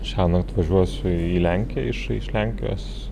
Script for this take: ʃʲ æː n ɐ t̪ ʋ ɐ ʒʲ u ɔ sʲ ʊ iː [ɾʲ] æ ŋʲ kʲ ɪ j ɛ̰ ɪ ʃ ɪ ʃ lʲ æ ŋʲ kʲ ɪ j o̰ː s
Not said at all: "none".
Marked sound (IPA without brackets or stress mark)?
lʲ